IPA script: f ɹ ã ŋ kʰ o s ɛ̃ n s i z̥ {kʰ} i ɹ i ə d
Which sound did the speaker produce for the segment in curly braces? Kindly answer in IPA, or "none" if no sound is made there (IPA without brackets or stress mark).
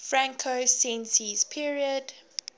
pʰ